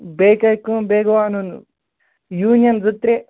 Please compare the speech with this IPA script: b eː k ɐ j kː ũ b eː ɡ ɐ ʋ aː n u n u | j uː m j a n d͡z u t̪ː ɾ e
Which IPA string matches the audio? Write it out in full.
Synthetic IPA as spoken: b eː k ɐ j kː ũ b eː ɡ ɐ ʋ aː n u n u | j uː n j ɐ n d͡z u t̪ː ɾ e